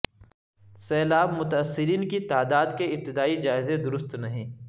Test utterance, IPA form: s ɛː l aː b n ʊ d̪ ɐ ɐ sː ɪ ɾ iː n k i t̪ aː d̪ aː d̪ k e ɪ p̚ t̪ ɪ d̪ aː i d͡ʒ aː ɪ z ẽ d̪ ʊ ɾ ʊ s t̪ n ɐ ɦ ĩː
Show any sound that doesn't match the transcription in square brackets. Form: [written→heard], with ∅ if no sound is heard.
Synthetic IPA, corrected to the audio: s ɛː l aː b [n→m] ʊ [d̪→t̪] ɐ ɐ sː ɪ ɾ iː n k i t̪ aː d̪ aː d̪ k e ɪ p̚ t̪ ɪ d̪ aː i d͡ʒ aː ɪ z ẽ d̪ ʊ ɾ ʊ s t̪ n ɐ ɦ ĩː